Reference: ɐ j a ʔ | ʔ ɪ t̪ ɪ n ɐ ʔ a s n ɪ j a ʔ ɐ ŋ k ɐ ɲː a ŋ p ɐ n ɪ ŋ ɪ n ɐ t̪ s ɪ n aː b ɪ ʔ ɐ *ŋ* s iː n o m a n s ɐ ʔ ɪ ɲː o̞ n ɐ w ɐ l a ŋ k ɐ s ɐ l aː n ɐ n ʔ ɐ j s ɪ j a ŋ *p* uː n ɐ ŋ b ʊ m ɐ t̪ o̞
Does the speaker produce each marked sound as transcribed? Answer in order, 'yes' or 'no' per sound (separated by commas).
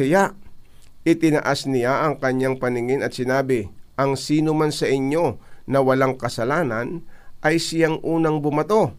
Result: yes, no